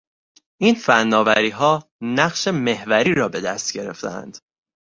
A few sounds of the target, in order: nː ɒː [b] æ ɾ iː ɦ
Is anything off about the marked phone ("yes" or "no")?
yes